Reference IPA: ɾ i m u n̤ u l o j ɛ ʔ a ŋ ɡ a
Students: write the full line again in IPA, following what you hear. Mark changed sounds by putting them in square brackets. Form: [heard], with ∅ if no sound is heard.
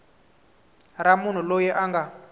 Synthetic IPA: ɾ [a] m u n̤ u l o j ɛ ʔ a ŋ ɡ a

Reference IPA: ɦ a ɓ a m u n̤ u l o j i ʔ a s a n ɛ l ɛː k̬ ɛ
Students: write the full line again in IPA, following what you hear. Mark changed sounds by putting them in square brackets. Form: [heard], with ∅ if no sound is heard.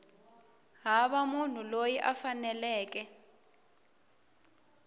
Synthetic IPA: ɦ a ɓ a m u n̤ u l o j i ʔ a [f] a n ɛ l ɛː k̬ ɛ

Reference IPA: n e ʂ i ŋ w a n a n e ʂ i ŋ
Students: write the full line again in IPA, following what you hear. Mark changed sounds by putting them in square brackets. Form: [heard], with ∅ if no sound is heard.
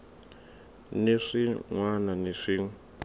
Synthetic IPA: n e ʂ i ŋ w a n a n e ʂ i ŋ

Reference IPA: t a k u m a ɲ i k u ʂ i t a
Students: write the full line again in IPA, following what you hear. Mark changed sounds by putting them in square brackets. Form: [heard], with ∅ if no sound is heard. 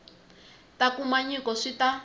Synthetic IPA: t a k u m a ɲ i k [ɔ] ʂ i t a

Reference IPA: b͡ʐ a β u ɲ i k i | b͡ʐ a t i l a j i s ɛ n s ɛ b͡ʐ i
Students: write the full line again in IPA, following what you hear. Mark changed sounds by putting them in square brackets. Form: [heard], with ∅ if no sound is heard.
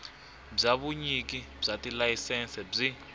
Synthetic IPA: b͡ʐ a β u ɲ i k i | b͡ʐ a t i l a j i s ɛ n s ɛ b͡ʐ i

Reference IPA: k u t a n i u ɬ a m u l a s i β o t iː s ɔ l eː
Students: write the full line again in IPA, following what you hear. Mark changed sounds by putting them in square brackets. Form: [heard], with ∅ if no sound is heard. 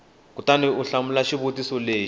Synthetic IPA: k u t a n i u ɬ a m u l a [ʃ] i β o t [i] s ɔ l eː

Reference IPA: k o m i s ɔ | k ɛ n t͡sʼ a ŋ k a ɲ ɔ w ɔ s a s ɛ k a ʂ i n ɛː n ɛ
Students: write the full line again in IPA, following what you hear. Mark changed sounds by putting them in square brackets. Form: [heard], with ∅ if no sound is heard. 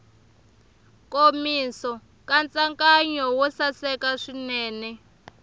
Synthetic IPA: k o m i s ɔ | k [a] n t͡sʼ a ŋ k a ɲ ɔ w ɔ s a s ɛ k a ʂ i n ɛː n ɛ

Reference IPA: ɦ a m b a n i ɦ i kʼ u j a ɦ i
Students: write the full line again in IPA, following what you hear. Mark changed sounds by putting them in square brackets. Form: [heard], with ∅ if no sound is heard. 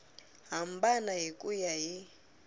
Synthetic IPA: ɦ a m b a n [a] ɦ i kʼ u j a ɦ i

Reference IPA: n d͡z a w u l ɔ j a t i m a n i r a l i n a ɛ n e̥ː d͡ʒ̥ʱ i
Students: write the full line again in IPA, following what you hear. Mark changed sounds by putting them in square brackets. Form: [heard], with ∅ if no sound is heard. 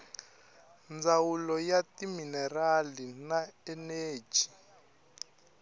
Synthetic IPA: n d͡z a w u l ɔ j a t i m [i] n [ɛ] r a l i n a ɛ n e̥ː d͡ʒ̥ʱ i

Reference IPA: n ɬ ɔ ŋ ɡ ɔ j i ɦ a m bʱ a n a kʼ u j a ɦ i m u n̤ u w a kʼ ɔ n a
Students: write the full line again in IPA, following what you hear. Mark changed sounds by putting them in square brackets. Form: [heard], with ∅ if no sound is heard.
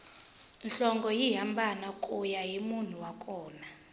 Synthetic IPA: n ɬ ɔ ŋ ɡ ɔ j i ɦ a m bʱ a n a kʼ u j a ɦ i m u n̤ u w a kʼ [ɔː] n a

